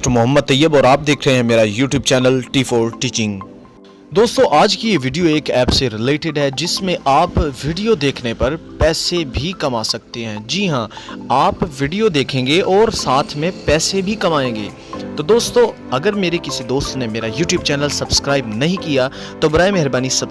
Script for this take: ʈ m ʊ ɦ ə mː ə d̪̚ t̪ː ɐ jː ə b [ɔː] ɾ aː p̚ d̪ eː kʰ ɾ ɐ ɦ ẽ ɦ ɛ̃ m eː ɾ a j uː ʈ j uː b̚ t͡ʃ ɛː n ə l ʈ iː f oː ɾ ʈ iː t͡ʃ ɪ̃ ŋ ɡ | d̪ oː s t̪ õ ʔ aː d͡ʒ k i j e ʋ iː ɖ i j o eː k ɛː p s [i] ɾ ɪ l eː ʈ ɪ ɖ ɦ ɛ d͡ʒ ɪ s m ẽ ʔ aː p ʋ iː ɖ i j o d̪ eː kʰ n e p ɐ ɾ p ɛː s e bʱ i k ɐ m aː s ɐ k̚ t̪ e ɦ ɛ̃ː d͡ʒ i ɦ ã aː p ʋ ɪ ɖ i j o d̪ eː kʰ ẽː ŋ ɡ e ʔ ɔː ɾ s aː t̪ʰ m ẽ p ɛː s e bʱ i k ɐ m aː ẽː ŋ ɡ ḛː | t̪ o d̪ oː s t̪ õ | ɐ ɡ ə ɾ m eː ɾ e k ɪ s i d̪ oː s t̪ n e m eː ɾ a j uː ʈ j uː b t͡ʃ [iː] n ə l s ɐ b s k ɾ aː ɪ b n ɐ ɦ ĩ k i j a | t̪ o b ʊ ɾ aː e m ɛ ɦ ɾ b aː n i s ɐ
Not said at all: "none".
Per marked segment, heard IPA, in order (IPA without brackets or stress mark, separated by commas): ɔː, e, ɛː